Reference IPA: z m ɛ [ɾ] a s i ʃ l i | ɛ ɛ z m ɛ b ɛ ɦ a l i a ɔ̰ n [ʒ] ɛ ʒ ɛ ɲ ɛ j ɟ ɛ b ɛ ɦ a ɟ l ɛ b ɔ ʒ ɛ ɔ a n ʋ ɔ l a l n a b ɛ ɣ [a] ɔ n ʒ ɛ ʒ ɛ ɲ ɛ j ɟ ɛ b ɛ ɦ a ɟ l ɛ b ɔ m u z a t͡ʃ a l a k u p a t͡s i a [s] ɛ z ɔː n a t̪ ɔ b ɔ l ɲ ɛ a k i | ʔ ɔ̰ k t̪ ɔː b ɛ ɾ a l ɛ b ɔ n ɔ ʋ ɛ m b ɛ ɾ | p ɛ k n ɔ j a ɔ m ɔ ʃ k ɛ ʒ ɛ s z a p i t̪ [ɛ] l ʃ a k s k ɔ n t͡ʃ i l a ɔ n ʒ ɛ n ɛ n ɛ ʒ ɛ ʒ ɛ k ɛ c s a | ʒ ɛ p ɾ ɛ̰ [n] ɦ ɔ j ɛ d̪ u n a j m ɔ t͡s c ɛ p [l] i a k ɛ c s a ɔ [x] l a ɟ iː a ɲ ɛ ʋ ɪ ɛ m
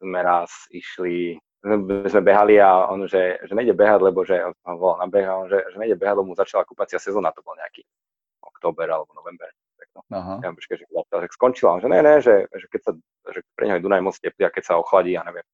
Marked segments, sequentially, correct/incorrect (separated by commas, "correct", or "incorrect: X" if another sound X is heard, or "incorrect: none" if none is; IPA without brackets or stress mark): correct, correct, correct, correct, incorrect: a, incorrect: ɲ, correct, correct